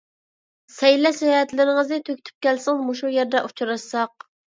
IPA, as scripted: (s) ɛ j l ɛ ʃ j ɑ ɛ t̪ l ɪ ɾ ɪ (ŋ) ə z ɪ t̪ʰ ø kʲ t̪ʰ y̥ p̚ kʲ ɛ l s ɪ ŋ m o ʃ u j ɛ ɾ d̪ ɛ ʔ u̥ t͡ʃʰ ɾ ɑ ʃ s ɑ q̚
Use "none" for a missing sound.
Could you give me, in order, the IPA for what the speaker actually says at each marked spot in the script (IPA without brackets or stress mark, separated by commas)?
s, ŋ